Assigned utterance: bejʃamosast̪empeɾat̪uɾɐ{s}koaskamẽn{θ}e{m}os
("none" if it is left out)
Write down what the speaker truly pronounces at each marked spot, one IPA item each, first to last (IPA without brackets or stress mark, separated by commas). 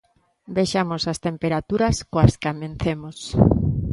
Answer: s, θ, m